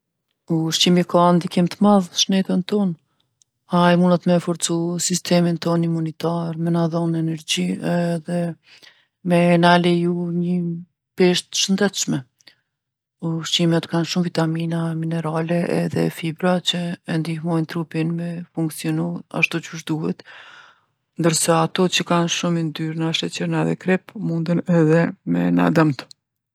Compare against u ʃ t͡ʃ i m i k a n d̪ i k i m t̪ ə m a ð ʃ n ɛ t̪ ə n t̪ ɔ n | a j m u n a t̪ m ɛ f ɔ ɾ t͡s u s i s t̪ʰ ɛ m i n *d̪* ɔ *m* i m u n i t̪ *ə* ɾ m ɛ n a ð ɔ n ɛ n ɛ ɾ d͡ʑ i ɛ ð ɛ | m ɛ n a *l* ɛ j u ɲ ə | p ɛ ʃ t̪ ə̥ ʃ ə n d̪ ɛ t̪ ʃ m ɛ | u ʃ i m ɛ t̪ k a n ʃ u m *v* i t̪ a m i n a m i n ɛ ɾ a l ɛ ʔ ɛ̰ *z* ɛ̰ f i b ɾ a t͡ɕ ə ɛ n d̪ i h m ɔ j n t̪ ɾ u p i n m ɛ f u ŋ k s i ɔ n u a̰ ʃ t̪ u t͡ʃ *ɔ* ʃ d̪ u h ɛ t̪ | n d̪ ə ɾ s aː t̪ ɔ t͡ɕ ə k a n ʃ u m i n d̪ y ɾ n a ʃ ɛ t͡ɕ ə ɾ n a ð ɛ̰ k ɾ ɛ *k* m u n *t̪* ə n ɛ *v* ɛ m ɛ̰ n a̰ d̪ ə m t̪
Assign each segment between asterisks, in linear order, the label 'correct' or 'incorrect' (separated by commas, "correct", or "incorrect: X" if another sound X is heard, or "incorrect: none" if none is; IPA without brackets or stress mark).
incorrect: t̪, incorrect: n, incorrect: a, correct, correct, incorrect: ð, incorrect: u, incorrect: p, incorrect: d̪, incorrect: ð